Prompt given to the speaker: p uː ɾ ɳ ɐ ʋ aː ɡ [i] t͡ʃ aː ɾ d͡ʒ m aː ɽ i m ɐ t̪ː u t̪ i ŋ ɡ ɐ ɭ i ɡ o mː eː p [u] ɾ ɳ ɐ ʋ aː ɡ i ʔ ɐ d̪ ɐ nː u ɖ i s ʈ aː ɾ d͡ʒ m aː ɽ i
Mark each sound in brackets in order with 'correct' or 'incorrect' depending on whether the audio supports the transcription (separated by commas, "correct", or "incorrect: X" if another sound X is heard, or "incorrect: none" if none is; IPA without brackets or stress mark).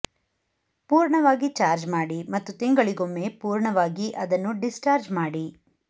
correct, incorrect: uː